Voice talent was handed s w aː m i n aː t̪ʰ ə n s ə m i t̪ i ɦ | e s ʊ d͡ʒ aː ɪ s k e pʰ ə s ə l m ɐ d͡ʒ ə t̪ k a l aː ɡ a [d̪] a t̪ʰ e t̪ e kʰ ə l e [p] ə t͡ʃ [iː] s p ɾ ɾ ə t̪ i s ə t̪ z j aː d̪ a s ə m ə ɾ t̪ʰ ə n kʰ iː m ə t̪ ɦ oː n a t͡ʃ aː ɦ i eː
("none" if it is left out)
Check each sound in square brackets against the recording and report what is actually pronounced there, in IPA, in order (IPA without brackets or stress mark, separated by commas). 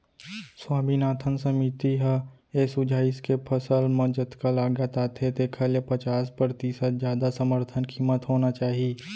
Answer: t̪, p, aː